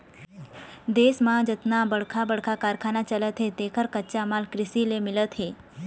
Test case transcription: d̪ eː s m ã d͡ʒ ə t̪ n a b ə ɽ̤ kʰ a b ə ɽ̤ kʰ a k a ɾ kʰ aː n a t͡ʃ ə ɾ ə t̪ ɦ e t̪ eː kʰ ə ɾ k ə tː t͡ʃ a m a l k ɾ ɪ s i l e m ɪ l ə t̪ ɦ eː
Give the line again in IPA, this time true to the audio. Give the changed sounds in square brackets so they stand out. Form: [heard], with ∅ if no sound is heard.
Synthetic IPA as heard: d̪ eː s m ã d͡ʒ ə t̪ n a b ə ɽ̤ kʰ a b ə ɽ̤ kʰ a k a ɾ kʰ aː n a t͡ʃ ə [l] ə t̪ ɦ e t̪ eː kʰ ə ɾ k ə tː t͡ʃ a m a l k ɾ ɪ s i l e m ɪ l ə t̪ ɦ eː